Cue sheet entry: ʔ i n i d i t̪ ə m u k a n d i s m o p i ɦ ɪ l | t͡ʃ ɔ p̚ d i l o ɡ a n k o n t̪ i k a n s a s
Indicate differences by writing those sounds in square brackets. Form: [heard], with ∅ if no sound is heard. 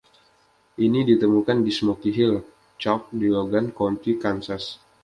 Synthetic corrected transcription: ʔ i n i d i t̪ ə m u k a n d i s m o [k] i ɦ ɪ l | t͡ʃ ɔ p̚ d i l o ɡ a n k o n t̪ i k a n s a s